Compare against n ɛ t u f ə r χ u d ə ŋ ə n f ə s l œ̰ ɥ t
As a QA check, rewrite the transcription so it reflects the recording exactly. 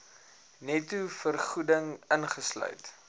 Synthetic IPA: n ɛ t u f ə r χ u d ə ŋ ə n χ ə s l œ̰ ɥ t